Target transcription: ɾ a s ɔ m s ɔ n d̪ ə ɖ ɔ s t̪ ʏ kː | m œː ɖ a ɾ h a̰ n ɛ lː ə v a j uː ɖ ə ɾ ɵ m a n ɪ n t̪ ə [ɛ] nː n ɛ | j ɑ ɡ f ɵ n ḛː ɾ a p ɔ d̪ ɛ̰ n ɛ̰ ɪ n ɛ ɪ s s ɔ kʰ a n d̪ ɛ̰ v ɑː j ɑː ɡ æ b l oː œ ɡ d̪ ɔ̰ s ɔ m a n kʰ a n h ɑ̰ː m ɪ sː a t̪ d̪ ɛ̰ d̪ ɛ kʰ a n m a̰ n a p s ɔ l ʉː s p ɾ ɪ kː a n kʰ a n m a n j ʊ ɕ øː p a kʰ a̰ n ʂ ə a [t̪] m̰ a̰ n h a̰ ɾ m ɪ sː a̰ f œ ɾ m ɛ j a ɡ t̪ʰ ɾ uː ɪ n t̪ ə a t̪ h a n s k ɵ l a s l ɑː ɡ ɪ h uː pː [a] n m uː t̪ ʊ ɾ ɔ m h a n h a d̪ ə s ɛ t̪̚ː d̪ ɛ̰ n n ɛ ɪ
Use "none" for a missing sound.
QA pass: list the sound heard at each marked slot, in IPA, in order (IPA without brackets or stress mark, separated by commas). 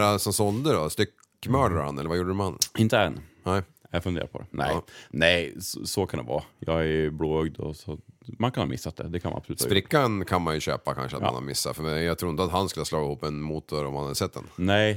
ɛ, t̪, ɛ